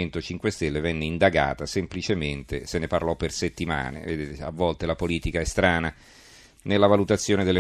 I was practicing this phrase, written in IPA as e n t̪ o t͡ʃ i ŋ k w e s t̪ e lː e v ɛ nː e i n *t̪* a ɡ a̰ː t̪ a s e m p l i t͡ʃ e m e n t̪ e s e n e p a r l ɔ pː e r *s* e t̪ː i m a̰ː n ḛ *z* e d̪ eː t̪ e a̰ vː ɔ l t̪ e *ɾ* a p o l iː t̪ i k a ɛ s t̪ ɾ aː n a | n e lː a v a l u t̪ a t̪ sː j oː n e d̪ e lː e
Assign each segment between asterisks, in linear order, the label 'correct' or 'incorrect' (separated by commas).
incorrect, correct, incorrect, incorrect